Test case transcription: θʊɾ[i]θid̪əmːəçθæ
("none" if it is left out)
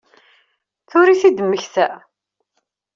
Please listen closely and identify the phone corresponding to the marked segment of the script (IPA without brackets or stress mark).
i